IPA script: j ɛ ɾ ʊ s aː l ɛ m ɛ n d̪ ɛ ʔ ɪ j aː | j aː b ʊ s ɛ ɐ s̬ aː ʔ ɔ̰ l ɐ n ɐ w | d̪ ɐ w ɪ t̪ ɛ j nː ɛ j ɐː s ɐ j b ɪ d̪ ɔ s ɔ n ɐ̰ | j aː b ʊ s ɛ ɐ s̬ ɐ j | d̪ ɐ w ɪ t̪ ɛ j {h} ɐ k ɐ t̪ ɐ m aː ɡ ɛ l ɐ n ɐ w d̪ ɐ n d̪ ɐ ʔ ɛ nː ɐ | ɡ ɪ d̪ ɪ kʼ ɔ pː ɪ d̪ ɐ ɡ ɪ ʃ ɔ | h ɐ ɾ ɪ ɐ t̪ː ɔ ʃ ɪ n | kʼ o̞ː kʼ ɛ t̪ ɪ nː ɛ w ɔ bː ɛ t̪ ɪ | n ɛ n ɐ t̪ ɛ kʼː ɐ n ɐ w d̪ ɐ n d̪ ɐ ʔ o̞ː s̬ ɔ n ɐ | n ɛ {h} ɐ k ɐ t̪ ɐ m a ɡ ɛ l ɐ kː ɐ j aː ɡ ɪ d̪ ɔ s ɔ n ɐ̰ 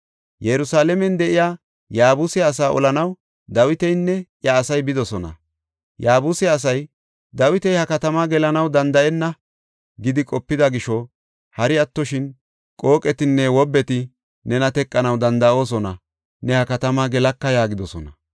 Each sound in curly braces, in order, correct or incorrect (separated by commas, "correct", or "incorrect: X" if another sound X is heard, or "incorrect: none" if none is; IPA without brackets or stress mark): correct, correct